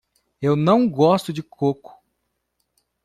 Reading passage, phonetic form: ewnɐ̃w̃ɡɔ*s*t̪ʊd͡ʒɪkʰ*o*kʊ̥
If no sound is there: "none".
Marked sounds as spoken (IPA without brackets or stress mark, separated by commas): s, o